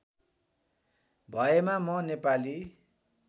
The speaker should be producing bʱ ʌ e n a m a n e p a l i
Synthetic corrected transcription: bʱ ʌ e m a m ʌ n e p a l i